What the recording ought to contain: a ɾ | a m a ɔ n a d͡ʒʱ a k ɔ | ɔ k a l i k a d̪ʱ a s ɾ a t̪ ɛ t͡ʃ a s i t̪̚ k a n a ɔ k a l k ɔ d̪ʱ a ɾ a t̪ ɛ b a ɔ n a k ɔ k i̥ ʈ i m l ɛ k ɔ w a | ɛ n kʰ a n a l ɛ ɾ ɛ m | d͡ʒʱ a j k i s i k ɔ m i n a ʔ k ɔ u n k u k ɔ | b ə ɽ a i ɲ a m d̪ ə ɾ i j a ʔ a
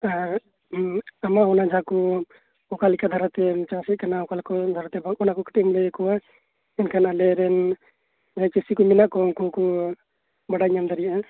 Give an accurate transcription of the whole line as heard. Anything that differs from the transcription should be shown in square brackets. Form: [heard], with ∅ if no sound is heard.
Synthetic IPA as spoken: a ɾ | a m a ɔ n a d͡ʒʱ a k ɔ | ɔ k a l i k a d̪ʱ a [∅] ɾ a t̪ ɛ t͡ʃ a s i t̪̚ k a n a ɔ k a l k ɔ d̪ʱ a ɾ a t̪ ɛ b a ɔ n a k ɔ k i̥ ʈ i m l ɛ k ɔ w a | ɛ n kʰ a n a l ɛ ɾ ɛ [n] | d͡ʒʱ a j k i s i k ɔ m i n a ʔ k ɔ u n k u k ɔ | b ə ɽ a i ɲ a m d̪ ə ɾ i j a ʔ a

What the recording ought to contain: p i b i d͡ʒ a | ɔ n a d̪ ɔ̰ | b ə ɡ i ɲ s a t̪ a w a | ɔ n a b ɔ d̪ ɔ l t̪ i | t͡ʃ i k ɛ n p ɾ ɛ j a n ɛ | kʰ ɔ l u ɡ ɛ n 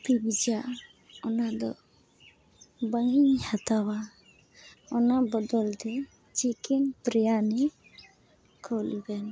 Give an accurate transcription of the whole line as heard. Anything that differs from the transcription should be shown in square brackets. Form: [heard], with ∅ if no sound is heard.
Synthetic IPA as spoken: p i b i d͡ʒ a | ɔ n a d̪ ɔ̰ | b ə [ŋ] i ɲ [h] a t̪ a w a | ɔ n a b ɔ d̪ ɔ l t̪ [ɛ] | t͡ʃ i k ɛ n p ɾ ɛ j a n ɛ | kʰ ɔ l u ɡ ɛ n

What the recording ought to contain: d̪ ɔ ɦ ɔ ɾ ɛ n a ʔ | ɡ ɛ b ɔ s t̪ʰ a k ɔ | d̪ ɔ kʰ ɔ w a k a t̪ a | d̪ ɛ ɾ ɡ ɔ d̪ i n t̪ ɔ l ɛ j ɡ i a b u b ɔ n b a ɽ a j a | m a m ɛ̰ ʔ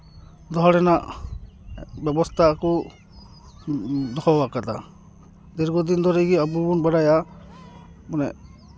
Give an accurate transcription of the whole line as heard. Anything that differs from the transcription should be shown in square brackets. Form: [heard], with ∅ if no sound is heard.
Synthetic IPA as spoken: d̪ ɔ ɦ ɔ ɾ ɛ n a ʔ | [b] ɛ b ɔ s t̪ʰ a k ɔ | d̪ ɔ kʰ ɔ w a k a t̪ a | d̪ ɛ ɾ ɡ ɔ d̪ i n [d̪] ɔ [ɾ] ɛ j ɡ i a b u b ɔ n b a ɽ a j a | m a [n] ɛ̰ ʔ

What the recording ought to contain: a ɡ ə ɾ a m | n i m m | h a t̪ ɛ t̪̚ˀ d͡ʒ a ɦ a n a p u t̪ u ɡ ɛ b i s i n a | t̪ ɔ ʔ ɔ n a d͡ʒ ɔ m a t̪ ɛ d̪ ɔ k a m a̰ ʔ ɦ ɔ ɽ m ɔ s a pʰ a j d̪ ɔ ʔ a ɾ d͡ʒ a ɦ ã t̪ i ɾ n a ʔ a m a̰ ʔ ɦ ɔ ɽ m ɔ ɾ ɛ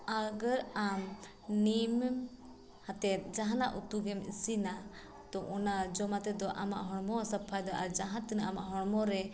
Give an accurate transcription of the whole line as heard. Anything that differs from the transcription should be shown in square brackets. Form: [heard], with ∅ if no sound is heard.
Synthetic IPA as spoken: a ɡ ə ɾ a m | n i m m | h a t̪ ɛ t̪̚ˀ d͡ʒ a ɦ a n a [ʔ] u t̪ u ɡ ɛ [m] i s i n a | t̪ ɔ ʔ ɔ n a d͡ʒ ɔ m a t̪ ɛ d̪ ɔ [ʔ] a m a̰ ʔ ɦ ɔ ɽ m ɔ s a pʰ a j d̪ ɔ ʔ a ɾ d͡ʒ a ɦ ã t̪ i [∅] n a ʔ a m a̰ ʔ ɦ ɔ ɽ m ɔ ɾ ɛ

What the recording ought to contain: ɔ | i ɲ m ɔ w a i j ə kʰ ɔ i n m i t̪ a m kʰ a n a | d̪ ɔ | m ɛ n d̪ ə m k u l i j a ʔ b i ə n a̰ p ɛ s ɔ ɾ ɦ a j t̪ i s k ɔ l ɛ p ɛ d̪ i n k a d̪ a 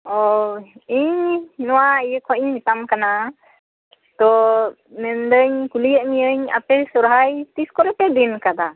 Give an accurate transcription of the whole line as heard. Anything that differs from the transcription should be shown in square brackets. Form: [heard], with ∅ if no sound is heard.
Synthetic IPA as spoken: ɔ | i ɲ [n] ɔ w a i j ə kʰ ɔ i [ɲ] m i t̪ a m [k] a n a | [t̪] ɔ | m ɛ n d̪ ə [ɲ] k u l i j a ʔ [m] i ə [ɲ] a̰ p ɛ s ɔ ɾ ɦ a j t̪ i s k ɔ [ɾ] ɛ p ɛ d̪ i n k a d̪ a

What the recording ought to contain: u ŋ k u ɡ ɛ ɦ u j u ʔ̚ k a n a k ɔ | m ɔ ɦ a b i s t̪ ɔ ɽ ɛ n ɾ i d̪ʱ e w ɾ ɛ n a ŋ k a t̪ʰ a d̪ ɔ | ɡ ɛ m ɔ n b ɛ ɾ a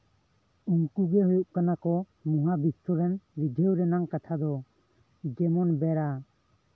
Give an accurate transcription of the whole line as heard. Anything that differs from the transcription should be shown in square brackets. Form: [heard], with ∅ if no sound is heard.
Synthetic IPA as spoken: u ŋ k u ɡ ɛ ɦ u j u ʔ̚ k a n a k ɔ | m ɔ ɦ a b i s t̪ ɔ [ɾ] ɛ n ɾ i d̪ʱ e w ɾ ɛ n a ŋ k a t̪ʰ a d̪ ɔ | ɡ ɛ m ɔ n b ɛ ɾ a

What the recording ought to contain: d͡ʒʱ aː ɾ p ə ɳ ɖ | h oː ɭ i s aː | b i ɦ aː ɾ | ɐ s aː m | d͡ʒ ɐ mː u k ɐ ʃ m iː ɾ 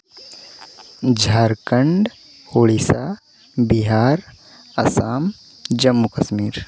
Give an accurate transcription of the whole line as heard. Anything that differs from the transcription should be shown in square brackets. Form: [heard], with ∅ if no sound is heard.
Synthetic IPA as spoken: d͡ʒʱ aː ɾ [k] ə ɳ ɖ | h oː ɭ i s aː | b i ɦ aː ɾ | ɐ s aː m | d͡ʒ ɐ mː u k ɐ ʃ m iː ɾ

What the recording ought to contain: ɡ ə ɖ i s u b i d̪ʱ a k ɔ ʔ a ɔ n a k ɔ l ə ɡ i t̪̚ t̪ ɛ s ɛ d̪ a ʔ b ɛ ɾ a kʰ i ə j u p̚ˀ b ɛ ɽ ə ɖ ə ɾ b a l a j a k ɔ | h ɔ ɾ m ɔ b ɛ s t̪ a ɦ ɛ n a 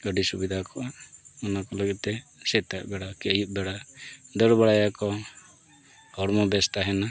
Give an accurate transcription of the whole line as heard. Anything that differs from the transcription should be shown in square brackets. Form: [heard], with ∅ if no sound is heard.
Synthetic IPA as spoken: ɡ ə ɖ i s u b i d̪ʱ a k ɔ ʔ a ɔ n a k ɔ l ə ɡ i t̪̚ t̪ ɛ s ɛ [t̪] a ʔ b ɛ [ɽ] a [k] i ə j u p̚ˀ b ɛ ɽ [a] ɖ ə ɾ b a [ɽ] a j a k ɔ | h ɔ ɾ m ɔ b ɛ s t̪ a ɦ ɛ n a

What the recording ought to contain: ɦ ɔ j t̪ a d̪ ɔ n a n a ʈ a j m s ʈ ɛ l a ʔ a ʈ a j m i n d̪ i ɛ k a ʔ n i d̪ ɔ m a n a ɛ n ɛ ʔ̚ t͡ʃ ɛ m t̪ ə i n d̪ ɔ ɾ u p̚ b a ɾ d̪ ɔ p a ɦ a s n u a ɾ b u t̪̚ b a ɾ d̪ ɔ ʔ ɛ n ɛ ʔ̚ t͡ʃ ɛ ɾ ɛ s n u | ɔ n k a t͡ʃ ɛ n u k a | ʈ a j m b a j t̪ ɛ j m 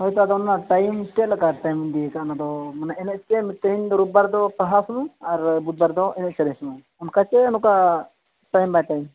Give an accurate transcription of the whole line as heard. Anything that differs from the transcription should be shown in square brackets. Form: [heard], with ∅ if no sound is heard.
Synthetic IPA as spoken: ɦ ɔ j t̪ a d̪ ɔ n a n a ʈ a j m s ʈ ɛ l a [k] a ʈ a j m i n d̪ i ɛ k a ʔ n [a] d̪ ɔ m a n a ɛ n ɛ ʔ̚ t͡ʃ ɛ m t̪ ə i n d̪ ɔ ɾ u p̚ b a ɾ d̪ ɔ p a ɦ a s n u a ɾ b u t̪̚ b a ɾ d̪ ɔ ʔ ɛ n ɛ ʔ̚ t͡ʃ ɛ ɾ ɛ s n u | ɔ n k a t͡ʃ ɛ n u k a | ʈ a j m b a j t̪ [a] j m

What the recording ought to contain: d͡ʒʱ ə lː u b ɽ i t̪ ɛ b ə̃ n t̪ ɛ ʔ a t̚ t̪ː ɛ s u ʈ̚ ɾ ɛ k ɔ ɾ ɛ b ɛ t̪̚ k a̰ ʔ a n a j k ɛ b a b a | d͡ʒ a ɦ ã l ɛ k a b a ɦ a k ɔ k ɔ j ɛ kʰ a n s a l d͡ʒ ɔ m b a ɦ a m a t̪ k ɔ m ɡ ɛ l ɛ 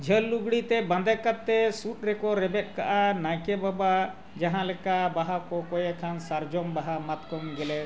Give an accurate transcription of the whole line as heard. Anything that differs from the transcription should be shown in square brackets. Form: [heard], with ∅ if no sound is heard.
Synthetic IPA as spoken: d͡ʒʱ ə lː u [ɡ] ɽ i t̪ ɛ b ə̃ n [d̪] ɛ [k] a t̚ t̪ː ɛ s u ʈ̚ ɾ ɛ k ɔ ɾ ɛ b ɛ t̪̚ k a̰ ʔ a n a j k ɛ b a b a | d͡ʒ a ɦ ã l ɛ k a b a ɦ a k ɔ k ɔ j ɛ kʰ a n s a [ɾ] d͡ʒ ɔ m b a ɦ a m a t̪ k ɔ m ɡ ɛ l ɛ

